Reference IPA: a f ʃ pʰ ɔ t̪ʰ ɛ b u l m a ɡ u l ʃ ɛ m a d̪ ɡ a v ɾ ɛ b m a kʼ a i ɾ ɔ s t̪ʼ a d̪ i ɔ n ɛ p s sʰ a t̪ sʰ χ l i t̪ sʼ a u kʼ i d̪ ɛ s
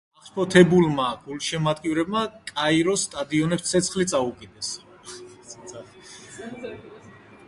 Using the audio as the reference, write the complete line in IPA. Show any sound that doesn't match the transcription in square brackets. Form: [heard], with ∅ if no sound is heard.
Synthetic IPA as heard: a [χ] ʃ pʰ ɔ t̪ʰ ɛ b u l m a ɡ u l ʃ ɛ m a d̪ ɡ [i] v ɾ ɛ b m a kʼ a i ɾ ɔ s t̪ʼ a d̪ i ɔ n ɛ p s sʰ [ɛ] t̪ sʰ χ l i t̪ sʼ a u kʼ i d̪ ɛ s